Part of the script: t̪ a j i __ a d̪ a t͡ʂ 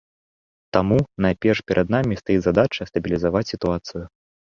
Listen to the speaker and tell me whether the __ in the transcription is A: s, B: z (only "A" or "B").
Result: B